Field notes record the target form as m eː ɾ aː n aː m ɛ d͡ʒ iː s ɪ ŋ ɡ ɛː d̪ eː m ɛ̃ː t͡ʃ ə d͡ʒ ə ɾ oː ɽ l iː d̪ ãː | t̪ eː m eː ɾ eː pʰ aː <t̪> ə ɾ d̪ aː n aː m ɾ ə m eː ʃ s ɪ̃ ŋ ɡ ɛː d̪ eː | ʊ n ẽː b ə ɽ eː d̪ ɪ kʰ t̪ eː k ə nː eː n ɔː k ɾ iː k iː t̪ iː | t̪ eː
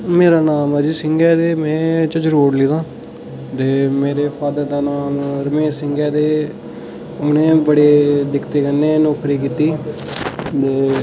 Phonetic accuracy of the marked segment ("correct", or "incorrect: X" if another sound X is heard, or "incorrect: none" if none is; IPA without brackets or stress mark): incorrect: d̪